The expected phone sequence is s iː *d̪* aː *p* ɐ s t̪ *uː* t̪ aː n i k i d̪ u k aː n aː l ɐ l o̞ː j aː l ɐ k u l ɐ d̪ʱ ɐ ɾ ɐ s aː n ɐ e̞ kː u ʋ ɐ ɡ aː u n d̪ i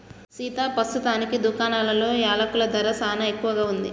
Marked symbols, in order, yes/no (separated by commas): no, yes, no